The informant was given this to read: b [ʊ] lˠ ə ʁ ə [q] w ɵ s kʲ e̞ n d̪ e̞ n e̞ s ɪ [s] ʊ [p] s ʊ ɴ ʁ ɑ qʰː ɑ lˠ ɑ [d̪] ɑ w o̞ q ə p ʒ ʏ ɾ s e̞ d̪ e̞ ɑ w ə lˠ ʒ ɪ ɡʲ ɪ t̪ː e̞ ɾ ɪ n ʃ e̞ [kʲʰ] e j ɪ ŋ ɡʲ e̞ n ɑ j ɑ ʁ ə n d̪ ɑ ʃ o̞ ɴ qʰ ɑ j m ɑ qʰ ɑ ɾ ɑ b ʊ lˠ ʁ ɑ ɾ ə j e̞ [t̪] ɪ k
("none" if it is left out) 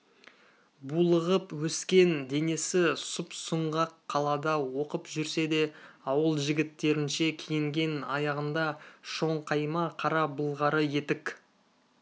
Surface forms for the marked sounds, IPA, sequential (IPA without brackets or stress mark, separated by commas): u, p, s, p, d̪, kʲʰ, t̪